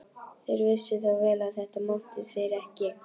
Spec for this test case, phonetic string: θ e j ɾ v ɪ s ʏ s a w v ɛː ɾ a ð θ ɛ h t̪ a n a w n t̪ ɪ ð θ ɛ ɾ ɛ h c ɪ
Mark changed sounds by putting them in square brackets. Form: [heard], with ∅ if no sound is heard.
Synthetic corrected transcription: θ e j ɾ v ɪ s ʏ [θ] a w v ɛː [l] a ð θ ɛ h t̪ a [m] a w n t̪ ɪ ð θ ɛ ɾ ɛ h c ɪ

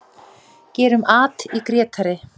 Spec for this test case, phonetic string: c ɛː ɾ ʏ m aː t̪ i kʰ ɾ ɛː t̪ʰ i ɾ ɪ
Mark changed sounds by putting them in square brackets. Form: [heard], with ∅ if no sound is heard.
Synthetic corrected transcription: c ɛː ɾ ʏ m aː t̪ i [k] ɾ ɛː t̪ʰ [a] ɾ ɪ

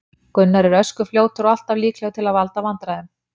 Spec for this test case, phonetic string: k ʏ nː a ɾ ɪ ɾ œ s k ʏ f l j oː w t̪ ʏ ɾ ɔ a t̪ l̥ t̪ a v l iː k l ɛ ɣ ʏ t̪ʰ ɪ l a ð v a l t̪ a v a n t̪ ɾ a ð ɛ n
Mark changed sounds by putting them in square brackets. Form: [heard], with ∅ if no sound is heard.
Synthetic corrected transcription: k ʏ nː a ɾ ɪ ɾ œ s k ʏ f l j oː w t̪ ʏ ɾ ɔ a [∅] l̥ t̪ a v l iː k l ɛ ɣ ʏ t̪ʰ ɪ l a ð v a l t̪ a v a n t̪ ɾ a ð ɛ [m]

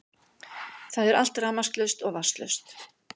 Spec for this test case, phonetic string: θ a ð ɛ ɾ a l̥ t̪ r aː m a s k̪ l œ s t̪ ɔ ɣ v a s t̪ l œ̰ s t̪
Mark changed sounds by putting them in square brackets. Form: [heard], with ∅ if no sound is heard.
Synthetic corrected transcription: θ a ð ɛ ɾ a l̥ t̪ r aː m a s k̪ l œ s t̪ ɔ ɣ v a s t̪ l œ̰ s t̪

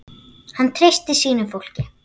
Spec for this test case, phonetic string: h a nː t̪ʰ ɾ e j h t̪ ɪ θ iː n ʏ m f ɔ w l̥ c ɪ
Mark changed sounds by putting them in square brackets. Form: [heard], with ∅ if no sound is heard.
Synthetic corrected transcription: h a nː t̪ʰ ɾ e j [s] t̪ ɪ [s] iː n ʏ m f [o] w l̥ c ɪ

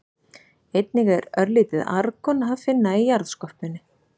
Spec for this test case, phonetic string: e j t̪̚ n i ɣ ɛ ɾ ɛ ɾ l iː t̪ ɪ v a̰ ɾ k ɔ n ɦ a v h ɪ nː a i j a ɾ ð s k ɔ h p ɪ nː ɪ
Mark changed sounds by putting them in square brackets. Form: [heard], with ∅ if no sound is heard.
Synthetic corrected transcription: e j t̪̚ n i ɣ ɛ ɾ [œ] ɾ l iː t̪ ɪ [ð] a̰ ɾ k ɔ n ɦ a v [f] ɪ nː a i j a ɾ ð s k ɔ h p ɪ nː ɪ

